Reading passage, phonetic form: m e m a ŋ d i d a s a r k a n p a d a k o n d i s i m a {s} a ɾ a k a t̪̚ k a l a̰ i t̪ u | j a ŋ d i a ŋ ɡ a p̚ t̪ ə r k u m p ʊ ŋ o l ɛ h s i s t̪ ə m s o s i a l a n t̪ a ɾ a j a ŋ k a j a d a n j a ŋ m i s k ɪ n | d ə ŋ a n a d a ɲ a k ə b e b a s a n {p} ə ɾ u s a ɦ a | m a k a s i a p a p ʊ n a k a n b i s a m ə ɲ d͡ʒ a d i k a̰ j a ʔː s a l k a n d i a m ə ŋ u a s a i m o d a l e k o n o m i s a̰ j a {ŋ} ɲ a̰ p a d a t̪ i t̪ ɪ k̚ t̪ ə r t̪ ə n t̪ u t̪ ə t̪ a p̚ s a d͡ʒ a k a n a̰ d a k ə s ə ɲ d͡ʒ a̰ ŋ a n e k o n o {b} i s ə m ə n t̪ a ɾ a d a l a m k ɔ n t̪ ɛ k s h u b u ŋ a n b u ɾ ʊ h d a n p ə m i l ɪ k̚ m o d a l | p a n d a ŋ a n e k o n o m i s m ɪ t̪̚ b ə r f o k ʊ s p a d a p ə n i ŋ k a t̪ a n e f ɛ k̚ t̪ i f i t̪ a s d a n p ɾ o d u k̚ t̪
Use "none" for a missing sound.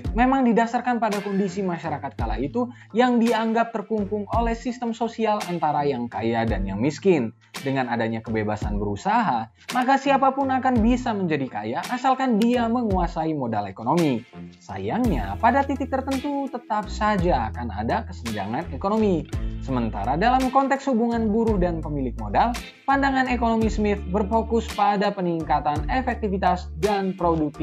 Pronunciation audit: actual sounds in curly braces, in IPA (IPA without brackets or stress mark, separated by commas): ʃ, b, ŋ, m